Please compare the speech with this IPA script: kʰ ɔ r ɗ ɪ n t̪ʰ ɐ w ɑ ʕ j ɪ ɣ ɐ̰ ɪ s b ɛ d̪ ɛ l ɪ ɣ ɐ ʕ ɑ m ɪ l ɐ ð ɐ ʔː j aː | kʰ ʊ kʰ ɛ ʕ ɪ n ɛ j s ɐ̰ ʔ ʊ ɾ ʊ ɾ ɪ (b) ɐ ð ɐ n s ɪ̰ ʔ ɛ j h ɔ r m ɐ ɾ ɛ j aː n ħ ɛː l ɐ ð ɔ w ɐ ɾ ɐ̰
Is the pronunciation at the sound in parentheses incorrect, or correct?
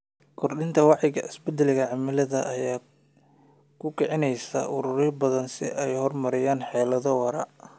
correct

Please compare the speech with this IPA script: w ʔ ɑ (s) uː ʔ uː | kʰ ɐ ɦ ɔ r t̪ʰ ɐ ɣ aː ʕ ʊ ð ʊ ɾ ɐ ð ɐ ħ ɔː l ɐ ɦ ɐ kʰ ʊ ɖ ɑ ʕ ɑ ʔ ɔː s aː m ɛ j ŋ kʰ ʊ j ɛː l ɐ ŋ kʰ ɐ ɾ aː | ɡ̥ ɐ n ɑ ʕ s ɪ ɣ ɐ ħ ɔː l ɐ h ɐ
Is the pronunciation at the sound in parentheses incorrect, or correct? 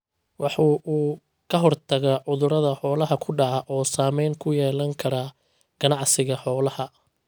incorrect: ħ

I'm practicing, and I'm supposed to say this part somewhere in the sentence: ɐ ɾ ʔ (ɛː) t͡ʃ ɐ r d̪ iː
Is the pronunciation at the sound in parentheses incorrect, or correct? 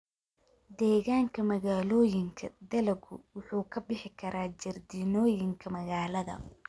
incorrect: aː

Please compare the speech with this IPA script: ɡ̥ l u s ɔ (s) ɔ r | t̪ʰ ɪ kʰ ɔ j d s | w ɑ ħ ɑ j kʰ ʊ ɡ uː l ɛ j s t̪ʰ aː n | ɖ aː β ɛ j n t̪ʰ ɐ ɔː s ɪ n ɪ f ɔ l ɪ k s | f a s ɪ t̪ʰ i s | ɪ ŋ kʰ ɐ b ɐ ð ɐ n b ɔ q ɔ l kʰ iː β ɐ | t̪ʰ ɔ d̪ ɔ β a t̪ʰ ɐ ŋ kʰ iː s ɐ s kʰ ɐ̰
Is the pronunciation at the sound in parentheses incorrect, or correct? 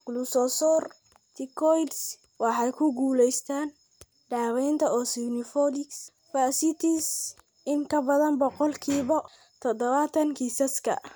correct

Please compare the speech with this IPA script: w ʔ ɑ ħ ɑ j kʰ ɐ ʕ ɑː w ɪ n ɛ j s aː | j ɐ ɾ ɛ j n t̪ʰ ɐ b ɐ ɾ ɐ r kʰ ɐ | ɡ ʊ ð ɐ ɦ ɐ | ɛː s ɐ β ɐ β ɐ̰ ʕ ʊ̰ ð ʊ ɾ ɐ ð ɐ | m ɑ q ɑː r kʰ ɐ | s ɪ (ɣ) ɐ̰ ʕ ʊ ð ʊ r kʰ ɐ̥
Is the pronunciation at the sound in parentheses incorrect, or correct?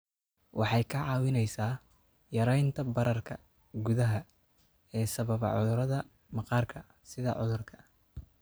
incorrect: ð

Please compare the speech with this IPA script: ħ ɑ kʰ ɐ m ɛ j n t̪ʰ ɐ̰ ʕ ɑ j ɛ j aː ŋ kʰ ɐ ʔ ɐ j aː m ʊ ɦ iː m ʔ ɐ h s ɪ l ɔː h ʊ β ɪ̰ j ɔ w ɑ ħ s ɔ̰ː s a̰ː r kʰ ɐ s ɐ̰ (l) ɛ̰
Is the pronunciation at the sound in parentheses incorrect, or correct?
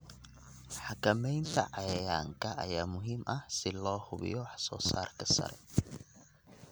incorrect: ɾ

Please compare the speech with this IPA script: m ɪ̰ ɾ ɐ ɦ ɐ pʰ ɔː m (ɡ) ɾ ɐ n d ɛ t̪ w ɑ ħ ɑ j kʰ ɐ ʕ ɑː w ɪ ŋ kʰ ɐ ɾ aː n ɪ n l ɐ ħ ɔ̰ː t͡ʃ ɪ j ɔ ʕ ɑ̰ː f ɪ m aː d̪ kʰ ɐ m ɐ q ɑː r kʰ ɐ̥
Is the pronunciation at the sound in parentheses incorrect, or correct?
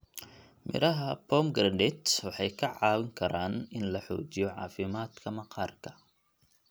correct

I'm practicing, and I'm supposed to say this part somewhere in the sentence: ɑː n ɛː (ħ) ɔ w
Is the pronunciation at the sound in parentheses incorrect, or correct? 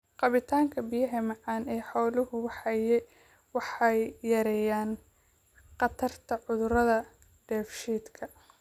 correct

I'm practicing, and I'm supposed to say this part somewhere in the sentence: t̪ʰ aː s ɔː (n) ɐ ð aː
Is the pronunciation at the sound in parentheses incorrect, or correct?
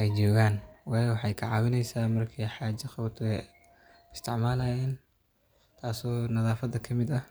correct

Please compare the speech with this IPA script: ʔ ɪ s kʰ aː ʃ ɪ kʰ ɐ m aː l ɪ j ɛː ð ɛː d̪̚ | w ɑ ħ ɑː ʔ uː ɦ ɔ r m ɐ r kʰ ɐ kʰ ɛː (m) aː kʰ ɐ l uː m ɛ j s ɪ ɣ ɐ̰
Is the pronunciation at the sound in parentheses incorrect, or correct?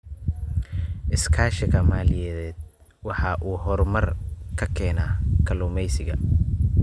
incorrect: n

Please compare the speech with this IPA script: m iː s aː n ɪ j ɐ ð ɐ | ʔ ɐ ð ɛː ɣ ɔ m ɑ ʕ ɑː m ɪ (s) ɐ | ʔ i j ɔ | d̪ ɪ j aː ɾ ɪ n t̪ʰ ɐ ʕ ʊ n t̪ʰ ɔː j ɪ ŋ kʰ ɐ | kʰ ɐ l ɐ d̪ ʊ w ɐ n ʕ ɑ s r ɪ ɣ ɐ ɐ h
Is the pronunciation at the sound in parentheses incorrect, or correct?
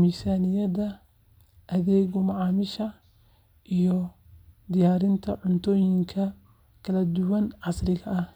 incorrect: ʃ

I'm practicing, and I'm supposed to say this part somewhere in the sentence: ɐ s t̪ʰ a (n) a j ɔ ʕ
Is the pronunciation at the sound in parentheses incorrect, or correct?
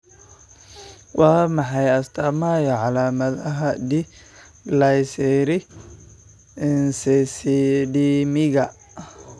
incorrect: m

